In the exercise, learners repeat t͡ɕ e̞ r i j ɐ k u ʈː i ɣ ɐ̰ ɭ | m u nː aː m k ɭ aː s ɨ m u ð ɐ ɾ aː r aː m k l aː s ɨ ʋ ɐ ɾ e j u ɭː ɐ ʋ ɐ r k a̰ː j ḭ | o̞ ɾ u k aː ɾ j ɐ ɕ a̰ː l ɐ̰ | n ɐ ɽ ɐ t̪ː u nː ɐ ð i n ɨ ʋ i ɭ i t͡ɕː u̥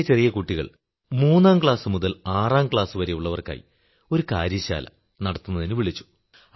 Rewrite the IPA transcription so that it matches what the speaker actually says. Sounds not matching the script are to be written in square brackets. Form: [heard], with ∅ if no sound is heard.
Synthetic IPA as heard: t͡ɕ e̞ r i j ɐ k u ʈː i ɣ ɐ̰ ɭ | m [uː] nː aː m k ɭ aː s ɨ m u ð ɐ [l] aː r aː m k [ɭ] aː s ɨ ʋ ɐ ɾ e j u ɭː ɐ ʋ ɐ r k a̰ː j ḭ | o̞ ɾ u k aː ɾ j ɐ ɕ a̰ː l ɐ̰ | n ɐ ɽ ɐ t̪ː u nː ɐ ð i n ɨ ʋ i ɭ i t͡ɕː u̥

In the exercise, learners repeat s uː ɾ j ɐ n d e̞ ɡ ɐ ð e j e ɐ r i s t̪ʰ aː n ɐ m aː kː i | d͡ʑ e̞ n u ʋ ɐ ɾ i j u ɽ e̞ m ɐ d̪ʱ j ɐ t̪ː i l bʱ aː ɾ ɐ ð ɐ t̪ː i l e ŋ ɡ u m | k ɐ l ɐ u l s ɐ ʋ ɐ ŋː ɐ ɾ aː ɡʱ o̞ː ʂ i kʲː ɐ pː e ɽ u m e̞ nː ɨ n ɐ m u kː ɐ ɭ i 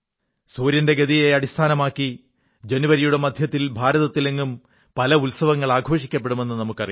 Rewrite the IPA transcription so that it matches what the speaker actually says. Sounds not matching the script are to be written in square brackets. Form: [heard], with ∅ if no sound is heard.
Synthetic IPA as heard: s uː ɾ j ɐ n d e̞ ɡ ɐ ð [i] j e ɐ [ɽ] i s t̪ʰ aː n ɐ m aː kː i | d͡ʑ e̞ n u ʋ ɐ ɾ i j u ɽ e̞ m ɐ d̪ʱ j ɐ t̪ː i l bʱ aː ɾ ɐ ð ɐ t̪ː i l e ŋ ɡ u m | [p] ɐ l ɐ u l s ɐ ʋ ɐ ŋː ɐ [ɭ] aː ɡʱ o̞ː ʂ i kʲː ɐ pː e ɽ u m e̞ nː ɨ n ɐ m u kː ɐ [r] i

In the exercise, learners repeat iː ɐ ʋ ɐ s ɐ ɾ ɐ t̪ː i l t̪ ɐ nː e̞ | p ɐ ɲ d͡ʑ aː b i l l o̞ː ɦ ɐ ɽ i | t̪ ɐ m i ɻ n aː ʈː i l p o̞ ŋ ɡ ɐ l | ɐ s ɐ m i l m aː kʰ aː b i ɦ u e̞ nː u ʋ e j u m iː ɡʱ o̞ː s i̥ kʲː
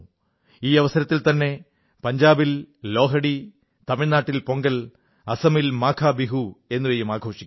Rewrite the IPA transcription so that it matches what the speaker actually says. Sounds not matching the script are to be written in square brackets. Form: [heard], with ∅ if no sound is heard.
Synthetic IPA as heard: iː ɐ ʋ ɐ s ɐ ɾ ɐ t̪ː i l t̪ ɐ nː e̞ | p ɐ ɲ d͡ʑ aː b i l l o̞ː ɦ ɐ ɽ i | t̪ ɐ m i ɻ n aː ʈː i l p o̞ ŋ ɡ ɐ l | ɐ s ɐ m i l m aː kʰ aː b i ɦ u e̞ nː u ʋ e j u m [aː] ɡʱ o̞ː [ʂ] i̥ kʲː

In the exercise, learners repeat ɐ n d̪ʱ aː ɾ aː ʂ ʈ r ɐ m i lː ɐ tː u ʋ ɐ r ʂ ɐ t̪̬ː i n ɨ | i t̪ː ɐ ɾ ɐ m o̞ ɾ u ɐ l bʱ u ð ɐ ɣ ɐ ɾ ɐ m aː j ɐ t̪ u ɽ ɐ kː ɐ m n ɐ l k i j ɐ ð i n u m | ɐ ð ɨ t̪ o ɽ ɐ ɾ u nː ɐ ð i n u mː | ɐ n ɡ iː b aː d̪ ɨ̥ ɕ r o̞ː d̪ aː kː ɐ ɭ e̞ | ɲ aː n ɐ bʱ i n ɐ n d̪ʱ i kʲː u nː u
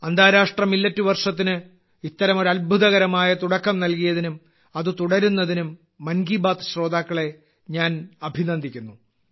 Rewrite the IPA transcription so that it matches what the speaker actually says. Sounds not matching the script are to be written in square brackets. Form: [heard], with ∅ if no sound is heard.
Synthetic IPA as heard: ɐ n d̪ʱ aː ɾ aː ʂ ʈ r ɐ m i lː ɐ tː u ʋ ɐ r ʂ ɐ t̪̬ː i n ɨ | i t̪ː ɐ ɾ ɐ m o̞ ɾ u ɐ l bʱ u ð ɐ ɣ ɐ ɾ ɐ m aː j ɐ t̪ u ɽ ɐ kː ɐ m n ɐ l k i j ɐ ð i n u m | ɐ ð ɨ t̪ [u] ɽ ɐ ɾ u nː ɐ ð i n u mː | ɐ n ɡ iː b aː [t̪] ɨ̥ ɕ r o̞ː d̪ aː kː ɐ ɭ e̞ | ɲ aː n ɐ bʱ i n ɐ n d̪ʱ i kʲː u nː u

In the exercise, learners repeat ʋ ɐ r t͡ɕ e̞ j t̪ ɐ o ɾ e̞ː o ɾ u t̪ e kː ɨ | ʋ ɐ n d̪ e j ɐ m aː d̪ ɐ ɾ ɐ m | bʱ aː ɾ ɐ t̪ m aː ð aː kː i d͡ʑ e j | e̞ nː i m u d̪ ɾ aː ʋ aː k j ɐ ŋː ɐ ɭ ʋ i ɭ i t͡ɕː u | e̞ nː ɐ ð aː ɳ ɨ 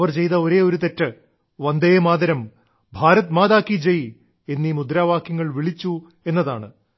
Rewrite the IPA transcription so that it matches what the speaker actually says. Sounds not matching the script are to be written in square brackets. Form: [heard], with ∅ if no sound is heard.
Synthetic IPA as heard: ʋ ɐ r t͡ɕ e̞ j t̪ ɐ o ɾ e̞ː o ɾ u t̪ e [tː] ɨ | ʋ ɐ n d̪ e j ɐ m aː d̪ ɐ ɾ ɐ m | bʱ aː ɾ ɐ t̪ m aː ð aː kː i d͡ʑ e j | e̞ nː i m u d̪ ɾ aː ʋ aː k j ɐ ŋː ɐ ɭ ʋ i ɭ i t͡ɕː u | e̞ nː ɐ ð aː ɳ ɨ

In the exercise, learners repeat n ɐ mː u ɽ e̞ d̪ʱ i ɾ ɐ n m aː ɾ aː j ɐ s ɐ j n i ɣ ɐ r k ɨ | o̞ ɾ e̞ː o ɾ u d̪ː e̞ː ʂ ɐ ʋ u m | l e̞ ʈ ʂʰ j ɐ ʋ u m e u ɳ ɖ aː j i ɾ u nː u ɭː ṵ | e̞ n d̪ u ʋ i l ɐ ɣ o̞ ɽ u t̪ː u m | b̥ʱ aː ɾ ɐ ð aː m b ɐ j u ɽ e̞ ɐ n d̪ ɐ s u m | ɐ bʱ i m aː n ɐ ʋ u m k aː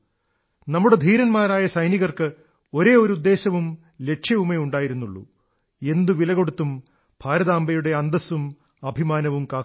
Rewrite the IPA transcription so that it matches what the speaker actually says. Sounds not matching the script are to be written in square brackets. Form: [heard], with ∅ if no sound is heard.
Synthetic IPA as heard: n ɐ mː u ɽ e̞ d̪ʱ [iː] ɾ ɐ n m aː ɾ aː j ɐ s ɐ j n i ɣ ɐ r k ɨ | o̞ ɾ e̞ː o ɾ u d̪ː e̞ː [ɕ] ɐ ʋ u m | l e̞ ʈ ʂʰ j ɐ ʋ u m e u ɳ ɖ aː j i ɾ u nː u ɭː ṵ | e̞ n d̪ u ʋ i l ɐ ɣ o̞ ɽ u t̪ː u m | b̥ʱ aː ɾ ɐ ð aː m b ɐ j u ɽ e̞ ɐ n d̪ ɐ s u m | ɐ bʱ i m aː n ɐ ʋ u m k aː

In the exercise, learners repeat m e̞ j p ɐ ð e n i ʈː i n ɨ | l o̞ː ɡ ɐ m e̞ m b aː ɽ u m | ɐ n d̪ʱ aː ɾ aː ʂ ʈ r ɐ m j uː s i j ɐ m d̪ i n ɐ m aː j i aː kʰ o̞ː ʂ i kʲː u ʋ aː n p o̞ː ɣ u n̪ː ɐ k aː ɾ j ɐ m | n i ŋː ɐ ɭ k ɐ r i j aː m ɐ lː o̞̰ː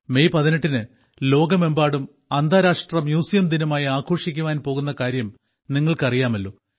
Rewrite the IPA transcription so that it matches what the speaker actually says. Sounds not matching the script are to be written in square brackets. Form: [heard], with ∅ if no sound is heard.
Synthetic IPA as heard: m e̞ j p ɐ ð [i] n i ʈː i n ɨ | l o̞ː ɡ ɐ m e̞ m b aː ɽ u m | ɐ n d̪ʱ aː ɾ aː ʂ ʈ r ɐ m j uː s i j ɐ m d̪ i n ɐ m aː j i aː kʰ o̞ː ʂ i kʲː u ʋ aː n p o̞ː ɣ u n̪ː ɐ k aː ɾ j ɐ m | n i ŋː ɐ ɭ k ɐ r i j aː m ɐ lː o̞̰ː

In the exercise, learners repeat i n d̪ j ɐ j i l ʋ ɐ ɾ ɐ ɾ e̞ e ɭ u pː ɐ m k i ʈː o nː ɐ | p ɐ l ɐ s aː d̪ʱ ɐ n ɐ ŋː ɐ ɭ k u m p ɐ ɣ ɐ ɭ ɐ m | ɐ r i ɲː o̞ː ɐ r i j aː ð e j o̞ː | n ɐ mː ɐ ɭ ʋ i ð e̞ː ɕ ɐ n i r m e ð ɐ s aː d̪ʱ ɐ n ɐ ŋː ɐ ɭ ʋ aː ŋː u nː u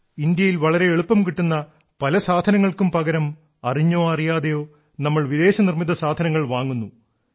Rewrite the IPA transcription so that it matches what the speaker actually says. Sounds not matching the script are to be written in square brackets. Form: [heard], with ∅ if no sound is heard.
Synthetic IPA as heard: i n d̪ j ɐ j i l ʋ ɐ [ɭ] ɐ ɾ e̞ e ɭ u pː ɐ m k i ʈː [u] nː ɐ | p ɐ l ɐ s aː d̪ʱ ɐ n ɐ ŋː ɐ ɭ k u m p ɐ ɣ ɐ [ɾ] ɐ m | ɐ r i ɲː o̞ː ɐ r i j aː ð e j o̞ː | n ɐ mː ɐ ɭ ʋ i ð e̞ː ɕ ɐ n i r m [i] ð ɐ s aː d̪ʱ ɐ n ɐ ŋː ɐ ɭ ʋ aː ŋː u nː u

